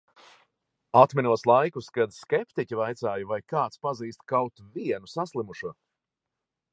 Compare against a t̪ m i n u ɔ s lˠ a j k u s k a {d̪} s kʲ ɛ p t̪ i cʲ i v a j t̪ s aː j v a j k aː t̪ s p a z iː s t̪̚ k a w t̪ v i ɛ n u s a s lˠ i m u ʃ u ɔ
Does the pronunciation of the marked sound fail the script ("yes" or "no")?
no